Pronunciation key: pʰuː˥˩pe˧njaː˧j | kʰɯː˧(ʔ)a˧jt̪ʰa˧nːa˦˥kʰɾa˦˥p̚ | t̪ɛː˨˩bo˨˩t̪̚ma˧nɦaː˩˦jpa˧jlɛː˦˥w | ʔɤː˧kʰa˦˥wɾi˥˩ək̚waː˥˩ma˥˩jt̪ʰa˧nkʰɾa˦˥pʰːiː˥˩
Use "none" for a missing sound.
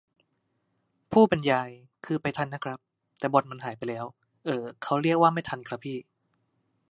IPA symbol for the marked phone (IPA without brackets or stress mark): p